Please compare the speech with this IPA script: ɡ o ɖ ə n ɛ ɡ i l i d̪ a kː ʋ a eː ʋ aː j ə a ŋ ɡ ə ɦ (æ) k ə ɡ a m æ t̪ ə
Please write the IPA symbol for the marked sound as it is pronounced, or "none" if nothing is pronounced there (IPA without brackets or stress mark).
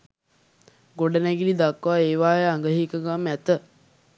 i